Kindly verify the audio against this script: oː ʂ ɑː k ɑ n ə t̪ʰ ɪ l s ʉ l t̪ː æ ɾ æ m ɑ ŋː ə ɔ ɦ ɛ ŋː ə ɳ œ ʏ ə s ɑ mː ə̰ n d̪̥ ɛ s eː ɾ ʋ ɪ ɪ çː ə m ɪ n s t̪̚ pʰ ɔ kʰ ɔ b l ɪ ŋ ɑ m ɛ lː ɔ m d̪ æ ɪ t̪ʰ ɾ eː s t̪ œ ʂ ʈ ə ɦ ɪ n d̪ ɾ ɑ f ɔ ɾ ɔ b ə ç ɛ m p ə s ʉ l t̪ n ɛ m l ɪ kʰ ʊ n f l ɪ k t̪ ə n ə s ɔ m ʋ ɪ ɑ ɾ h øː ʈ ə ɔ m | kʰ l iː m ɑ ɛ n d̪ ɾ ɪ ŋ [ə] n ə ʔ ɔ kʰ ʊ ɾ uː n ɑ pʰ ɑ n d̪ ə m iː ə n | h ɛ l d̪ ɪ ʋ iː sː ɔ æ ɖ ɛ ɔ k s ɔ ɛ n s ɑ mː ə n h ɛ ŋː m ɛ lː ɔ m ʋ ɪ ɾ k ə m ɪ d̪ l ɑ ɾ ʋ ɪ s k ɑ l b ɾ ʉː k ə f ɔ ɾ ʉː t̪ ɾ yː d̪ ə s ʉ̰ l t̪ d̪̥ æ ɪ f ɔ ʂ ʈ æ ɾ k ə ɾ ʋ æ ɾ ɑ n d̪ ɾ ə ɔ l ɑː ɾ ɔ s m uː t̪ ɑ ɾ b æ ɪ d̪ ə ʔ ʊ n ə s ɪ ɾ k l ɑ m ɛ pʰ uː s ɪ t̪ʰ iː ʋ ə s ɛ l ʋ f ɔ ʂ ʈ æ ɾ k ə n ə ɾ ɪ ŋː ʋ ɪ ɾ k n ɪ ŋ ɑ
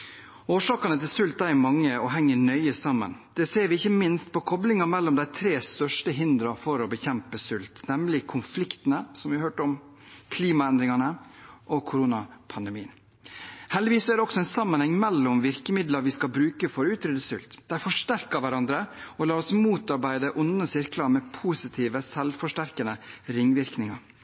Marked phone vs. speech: incorrect: ɑ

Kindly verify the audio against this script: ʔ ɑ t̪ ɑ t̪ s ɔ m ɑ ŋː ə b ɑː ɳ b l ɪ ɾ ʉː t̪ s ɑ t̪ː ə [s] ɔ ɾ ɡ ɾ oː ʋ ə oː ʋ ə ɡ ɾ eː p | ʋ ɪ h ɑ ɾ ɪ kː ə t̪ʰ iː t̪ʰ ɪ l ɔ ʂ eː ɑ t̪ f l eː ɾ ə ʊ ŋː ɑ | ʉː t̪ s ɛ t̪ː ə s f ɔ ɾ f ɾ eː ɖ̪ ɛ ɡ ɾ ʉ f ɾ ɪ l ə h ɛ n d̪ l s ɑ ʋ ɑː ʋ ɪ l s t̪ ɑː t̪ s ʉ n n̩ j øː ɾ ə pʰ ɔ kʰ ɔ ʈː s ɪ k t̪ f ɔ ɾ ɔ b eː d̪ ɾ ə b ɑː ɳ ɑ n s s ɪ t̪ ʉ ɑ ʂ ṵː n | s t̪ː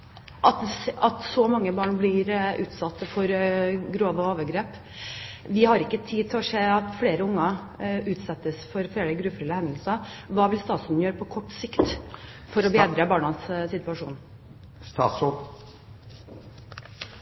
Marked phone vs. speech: incorrect: f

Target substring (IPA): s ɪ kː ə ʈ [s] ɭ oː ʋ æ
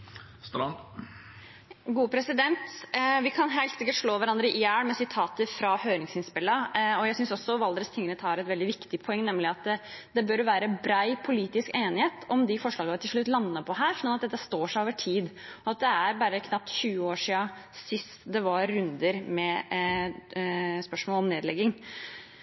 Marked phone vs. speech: incorrect: ʂ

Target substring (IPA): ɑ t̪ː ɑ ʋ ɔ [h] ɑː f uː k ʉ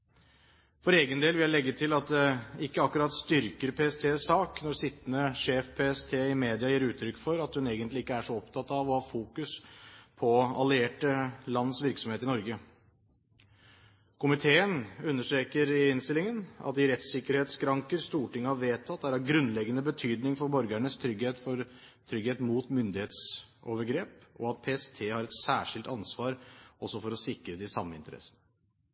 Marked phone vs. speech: correct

